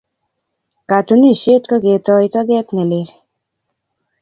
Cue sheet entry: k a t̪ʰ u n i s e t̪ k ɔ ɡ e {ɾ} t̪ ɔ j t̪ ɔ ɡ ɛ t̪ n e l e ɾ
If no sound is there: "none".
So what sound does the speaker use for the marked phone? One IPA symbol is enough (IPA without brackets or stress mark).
none